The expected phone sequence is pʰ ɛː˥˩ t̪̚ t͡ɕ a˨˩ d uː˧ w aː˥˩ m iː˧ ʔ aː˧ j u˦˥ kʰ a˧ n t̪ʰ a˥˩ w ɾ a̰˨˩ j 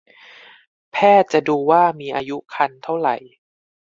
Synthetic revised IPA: pʰ ɛː˥˩ t̪̚ t͡ɕ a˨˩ d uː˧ w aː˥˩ m iː˧ ʔ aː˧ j u˦˥ kʰ a˧ n t̪ʰ a˥˩ w ɾ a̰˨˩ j